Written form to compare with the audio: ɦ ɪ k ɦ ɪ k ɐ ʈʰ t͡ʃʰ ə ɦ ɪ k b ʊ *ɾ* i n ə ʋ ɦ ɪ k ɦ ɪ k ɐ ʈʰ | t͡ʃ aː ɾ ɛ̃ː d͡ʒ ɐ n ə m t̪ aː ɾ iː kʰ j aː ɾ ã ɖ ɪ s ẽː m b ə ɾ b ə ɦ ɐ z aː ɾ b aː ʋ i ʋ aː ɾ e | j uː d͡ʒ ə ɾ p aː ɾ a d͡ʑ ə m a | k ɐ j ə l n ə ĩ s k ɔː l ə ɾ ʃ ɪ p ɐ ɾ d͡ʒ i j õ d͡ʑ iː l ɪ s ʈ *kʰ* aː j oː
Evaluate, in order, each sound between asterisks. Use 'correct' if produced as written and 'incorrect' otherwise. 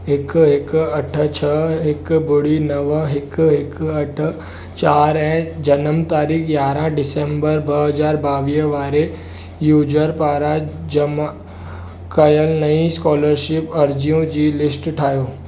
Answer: incorrect, incorrect

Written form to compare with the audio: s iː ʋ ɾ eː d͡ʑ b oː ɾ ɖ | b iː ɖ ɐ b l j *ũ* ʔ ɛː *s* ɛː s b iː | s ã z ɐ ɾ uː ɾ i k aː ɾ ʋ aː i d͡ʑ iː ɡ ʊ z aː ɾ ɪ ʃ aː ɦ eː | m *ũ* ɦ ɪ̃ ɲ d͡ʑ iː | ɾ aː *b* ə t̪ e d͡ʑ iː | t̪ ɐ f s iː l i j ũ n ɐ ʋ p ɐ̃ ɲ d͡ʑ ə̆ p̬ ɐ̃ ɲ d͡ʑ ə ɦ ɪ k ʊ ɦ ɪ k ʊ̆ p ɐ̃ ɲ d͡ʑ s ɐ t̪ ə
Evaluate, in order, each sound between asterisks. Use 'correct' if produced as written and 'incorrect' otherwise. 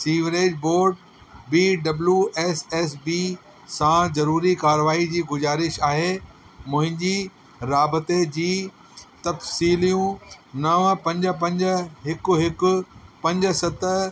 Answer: incorrect, correct, incorrect, correct

